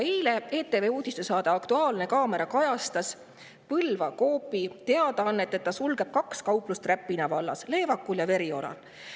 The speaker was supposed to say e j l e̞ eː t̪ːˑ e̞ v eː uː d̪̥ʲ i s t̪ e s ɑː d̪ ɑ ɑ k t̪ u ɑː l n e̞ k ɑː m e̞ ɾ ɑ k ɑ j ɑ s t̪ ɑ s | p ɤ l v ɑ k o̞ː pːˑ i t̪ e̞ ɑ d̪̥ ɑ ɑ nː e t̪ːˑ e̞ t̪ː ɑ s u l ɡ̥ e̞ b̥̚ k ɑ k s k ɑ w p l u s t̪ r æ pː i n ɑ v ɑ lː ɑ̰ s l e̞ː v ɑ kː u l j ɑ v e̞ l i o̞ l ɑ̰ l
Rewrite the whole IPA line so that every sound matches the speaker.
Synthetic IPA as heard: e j l e̞ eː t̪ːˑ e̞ v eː uː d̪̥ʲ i s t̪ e s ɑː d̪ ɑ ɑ k t̪ u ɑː l n e̞ k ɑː m e̞ ɾ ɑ k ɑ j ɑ s t̪ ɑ s | p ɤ l v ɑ k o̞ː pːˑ i t̪ e̞ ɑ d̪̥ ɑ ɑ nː e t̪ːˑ e̞ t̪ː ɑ s u l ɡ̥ e̞ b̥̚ k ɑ k s k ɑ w p l u s t̪ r æ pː i n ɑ v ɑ lː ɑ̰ s l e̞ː v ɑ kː u l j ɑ v e̞ ɾ i o̞ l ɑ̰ l